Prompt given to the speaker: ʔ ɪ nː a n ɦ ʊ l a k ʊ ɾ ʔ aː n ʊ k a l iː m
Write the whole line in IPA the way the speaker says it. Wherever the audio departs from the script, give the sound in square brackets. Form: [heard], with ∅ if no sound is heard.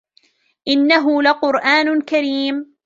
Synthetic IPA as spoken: ʔ ɪ nː a [∅] ɦ ʊ l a [q] ʊ ɾ ʔ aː n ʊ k a [ɾ] iː m